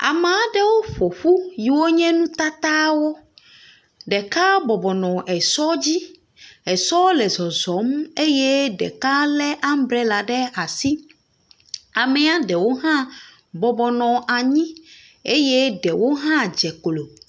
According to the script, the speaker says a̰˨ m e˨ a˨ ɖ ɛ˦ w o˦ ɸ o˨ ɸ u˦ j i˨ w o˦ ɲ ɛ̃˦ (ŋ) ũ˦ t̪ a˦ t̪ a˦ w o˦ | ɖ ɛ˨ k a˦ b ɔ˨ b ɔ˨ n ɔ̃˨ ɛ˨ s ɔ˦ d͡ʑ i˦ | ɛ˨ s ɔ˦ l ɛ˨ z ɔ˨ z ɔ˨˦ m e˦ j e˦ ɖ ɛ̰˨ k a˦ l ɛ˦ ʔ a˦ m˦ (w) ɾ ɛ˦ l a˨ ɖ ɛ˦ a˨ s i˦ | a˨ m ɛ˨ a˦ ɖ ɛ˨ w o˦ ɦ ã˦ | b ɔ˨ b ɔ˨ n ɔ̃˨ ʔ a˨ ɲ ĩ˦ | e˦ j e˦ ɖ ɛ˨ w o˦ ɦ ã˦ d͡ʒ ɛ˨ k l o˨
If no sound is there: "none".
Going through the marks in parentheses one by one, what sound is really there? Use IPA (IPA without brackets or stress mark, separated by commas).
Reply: n, b